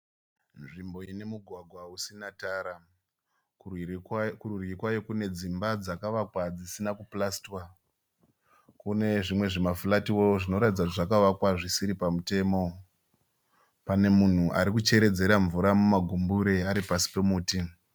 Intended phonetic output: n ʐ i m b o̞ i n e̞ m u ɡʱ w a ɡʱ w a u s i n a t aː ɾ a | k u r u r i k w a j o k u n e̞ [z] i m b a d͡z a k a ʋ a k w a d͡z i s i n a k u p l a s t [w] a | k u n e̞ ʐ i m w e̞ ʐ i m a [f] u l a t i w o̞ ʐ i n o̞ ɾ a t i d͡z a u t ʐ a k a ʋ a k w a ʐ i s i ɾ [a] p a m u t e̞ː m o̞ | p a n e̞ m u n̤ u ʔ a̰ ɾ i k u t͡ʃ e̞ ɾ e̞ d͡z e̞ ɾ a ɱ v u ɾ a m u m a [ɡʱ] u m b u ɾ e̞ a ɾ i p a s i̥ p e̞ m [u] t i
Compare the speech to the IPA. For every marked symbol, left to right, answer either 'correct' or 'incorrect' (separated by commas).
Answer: incorrect, correct, correct, incorrect, correct, incorrect